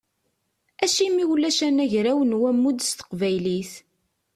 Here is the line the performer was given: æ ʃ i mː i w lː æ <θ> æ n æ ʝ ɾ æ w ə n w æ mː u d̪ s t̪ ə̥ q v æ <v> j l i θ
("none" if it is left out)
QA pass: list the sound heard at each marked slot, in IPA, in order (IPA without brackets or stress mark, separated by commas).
ʃ, none